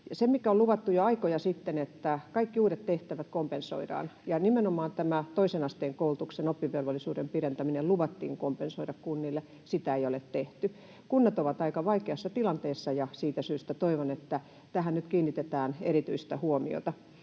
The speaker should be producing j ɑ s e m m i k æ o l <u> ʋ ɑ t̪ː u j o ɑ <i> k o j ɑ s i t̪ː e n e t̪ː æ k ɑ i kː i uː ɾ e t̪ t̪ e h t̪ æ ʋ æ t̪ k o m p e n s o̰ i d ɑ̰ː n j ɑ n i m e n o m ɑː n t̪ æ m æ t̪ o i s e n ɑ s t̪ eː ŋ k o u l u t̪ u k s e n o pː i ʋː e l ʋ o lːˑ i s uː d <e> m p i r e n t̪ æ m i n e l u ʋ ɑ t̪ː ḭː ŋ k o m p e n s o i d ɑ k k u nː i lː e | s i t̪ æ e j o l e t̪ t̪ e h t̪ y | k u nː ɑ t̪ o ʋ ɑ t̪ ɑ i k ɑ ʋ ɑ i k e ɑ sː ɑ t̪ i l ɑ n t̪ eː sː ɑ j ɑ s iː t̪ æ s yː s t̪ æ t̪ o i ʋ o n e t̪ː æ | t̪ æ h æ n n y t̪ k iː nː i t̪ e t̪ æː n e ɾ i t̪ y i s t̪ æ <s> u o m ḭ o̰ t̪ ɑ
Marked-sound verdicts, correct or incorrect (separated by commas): correct, correct, correct, incorrect